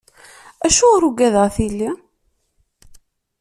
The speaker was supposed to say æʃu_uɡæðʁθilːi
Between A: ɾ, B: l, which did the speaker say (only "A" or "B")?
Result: A